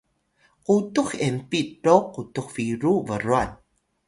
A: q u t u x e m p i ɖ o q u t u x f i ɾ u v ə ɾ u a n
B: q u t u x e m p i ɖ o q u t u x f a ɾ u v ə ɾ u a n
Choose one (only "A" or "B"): A